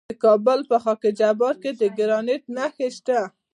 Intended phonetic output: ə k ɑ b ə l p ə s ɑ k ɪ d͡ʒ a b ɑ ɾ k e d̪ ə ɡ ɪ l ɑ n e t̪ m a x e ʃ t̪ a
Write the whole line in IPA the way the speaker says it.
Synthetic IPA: ə k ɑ b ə l p ə x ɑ k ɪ d͡ʒ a b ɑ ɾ k e d̪ ə ɡ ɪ ɾ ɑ n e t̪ n a x e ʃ t̪ a